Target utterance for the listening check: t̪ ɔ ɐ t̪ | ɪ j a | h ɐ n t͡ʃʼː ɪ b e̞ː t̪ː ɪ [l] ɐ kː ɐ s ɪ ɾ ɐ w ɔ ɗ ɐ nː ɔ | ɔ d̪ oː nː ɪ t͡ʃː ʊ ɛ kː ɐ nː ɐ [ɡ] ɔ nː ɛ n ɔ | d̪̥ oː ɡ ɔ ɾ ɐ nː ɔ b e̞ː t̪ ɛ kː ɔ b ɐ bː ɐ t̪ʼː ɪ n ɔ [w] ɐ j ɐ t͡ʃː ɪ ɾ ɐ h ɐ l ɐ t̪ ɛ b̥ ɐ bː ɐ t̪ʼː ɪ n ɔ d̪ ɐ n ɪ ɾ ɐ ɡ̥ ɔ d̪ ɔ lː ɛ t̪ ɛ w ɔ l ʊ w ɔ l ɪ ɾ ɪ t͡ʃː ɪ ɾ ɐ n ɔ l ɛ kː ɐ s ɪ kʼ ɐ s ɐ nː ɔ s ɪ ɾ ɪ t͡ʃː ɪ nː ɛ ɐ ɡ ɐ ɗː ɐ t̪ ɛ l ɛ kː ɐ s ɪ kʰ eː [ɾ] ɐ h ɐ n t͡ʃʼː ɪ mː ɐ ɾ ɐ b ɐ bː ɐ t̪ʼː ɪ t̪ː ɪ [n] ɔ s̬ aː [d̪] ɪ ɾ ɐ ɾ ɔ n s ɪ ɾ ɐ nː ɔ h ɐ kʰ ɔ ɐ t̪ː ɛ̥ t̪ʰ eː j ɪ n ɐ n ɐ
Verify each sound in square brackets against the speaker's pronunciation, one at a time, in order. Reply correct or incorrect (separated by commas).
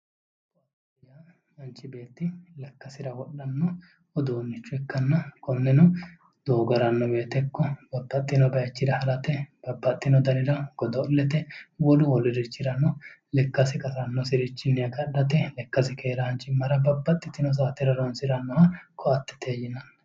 correct, incorrect, incorrect, correct, correct, incorrect